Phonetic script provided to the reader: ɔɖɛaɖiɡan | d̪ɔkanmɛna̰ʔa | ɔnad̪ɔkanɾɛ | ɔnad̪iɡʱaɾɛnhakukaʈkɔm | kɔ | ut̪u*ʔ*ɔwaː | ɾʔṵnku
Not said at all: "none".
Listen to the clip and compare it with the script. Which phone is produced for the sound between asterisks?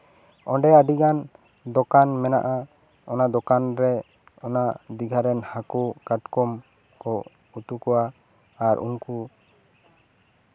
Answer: k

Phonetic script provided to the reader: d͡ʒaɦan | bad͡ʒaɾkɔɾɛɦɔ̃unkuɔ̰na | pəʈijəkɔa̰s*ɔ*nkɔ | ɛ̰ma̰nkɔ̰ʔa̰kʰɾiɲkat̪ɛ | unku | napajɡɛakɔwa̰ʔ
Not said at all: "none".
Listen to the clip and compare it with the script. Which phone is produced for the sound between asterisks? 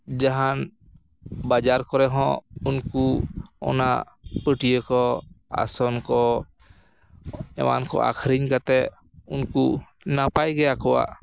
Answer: ɔ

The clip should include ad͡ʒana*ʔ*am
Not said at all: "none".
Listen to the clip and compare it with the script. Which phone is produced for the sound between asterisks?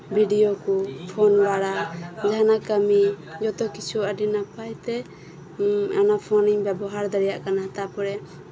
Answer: k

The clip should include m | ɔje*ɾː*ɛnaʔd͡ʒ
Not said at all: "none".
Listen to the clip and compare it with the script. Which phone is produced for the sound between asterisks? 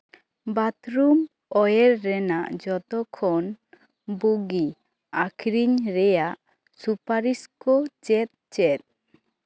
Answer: ɾː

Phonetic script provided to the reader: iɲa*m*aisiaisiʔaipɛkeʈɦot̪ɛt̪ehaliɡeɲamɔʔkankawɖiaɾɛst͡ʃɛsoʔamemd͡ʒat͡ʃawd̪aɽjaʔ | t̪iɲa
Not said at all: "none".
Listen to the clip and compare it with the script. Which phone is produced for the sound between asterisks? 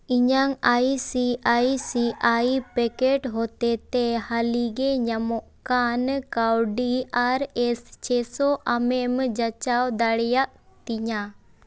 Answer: ŋ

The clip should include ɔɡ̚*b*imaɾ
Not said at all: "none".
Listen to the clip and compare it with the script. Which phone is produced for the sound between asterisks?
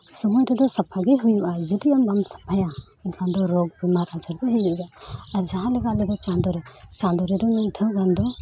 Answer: b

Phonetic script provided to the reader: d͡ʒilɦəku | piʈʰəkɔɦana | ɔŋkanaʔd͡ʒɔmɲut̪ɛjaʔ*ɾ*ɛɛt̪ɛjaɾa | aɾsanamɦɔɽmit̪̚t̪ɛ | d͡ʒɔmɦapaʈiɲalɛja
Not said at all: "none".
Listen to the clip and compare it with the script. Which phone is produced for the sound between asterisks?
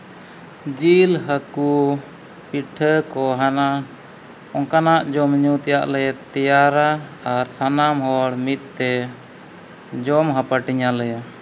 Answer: l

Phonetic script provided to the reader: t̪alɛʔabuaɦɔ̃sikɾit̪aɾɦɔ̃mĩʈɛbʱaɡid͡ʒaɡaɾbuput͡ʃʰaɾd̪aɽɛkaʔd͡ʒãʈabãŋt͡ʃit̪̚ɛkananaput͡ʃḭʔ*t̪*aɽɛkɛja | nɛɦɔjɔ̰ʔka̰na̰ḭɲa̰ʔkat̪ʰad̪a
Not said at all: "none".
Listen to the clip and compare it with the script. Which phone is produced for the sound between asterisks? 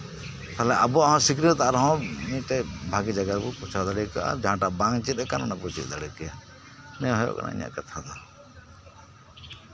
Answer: d̪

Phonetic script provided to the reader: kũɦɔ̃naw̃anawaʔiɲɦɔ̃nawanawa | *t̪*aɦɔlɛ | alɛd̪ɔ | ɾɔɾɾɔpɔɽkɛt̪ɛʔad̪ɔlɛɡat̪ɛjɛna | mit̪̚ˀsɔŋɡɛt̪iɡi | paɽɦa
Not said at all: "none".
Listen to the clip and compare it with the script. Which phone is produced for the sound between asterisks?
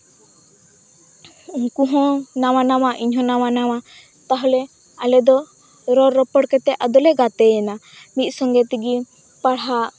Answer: t̪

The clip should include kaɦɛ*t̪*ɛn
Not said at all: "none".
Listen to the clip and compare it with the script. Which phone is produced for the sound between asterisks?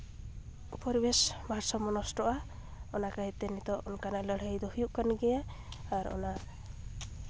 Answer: t̪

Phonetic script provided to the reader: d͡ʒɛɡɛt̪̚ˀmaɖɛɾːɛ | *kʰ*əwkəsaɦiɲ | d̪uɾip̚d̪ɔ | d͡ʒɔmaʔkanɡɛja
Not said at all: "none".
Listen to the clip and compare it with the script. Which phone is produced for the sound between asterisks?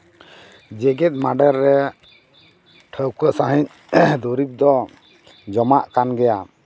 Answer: ʈʰ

